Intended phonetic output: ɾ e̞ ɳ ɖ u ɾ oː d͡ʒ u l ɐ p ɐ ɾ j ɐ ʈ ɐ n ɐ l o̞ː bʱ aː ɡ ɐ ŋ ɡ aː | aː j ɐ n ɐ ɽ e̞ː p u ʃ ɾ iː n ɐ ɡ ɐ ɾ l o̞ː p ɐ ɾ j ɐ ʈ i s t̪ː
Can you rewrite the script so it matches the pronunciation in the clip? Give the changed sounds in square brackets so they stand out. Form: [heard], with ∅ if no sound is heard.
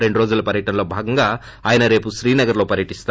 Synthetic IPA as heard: ɾ e̞ ɳ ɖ u ɾ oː d͡ʒ u l ɐ p ɐ ɾ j ɐ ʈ ɐ n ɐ l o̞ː bʱ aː ɡ ɐ ŋ ɡ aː | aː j ɐ n ɐ [ɾ] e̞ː p u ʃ ɾ iː n ɐ ɡ ɐ ɾ l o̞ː p ɐ ɾ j ɐ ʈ i s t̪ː